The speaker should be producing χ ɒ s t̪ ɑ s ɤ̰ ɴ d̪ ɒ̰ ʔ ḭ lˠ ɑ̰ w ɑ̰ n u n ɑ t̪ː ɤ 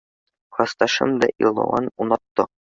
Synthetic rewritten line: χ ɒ s t̪ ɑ ʃ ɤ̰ m d̪ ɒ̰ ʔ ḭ lˠ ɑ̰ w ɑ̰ n u n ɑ t̪ː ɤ